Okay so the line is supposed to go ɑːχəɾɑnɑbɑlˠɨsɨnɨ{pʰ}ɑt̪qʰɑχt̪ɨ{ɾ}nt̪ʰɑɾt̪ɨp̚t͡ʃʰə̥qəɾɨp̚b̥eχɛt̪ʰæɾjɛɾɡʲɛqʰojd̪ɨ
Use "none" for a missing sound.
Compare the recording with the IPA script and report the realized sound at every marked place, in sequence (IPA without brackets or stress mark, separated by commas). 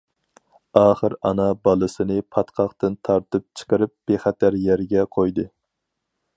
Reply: pʰ, none